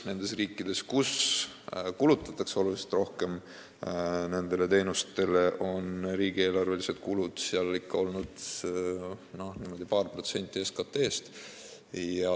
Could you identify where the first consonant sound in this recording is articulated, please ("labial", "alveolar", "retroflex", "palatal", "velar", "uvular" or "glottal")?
alveolar